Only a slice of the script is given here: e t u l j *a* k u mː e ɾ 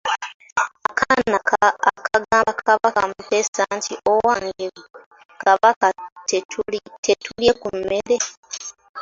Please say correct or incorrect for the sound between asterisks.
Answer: incorrect